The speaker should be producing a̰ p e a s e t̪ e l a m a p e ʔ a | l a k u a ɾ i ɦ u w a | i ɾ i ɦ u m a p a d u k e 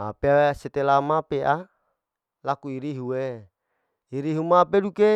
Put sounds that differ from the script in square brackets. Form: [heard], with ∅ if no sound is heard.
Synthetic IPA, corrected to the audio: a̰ p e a s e t̪ e l a m a p e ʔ a | l a k u [i] ɾ i ɦ u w [e] | i ɾ i ɦ u m a p [e] d u k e